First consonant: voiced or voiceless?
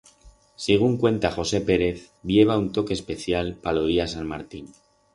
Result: voiceless